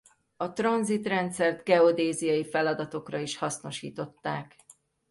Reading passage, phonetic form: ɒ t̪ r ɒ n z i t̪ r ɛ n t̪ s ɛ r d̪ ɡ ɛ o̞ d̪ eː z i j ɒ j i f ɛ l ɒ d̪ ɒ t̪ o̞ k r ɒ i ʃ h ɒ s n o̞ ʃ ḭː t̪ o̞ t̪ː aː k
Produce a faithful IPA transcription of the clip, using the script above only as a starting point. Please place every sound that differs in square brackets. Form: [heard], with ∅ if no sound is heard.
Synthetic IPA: ɒ t̪ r ɒ n z i t̪ r ɛ n t̪ s ɛ r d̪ ɡ ɛ o̞ d̪ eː z i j ɒ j i f ɛ l ɒ d̪ ɒ t̪ o̞ k r ɒ i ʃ h ɒ s n o̞ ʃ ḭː t̪ o̞ t̪ː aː k